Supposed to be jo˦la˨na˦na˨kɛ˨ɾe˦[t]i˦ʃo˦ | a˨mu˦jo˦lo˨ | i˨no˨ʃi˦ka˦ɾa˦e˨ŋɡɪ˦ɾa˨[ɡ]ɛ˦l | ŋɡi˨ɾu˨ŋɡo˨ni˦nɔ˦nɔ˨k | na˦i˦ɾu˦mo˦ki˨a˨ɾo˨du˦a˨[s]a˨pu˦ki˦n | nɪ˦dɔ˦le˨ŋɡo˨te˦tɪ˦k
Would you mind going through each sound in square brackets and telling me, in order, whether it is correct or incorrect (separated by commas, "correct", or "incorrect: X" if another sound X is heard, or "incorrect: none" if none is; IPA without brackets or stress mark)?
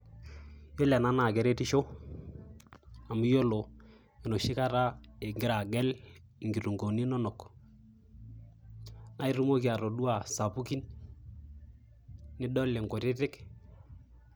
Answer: correct, correct, correct